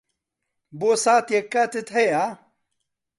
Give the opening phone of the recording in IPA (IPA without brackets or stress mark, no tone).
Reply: b